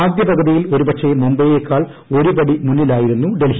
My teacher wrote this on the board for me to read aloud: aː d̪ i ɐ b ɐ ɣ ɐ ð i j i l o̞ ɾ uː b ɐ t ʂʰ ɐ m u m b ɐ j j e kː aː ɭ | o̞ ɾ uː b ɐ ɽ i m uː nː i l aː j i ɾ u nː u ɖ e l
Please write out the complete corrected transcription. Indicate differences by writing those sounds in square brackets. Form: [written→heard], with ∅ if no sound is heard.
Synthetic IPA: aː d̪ [i→j] ɐ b ɐ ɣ ɐ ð i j i l o̞ ɾ [uː→u] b ɐ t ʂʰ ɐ m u m b ɐ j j e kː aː ɭ | o̞ ɾ [uː→u] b ɐ ɽ i m [uː→u] nː i l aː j i ɾ u nː u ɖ e l